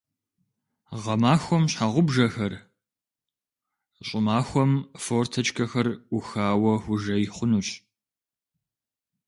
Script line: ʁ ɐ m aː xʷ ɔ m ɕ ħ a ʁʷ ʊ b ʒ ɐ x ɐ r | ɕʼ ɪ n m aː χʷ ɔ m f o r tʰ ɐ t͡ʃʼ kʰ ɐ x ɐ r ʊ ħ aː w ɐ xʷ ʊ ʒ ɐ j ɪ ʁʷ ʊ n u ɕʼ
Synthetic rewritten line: ʁ ɐ m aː xʷ ɔ m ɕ ħ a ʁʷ ʊ b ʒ ɐ x ɐ r | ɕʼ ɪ m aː xʷ ɔ m f o r tʰ ɐ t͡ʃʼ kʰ ɐ x ɐ r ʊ x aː w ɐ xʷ ʊ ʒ ɐ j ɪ χʷ ʊ n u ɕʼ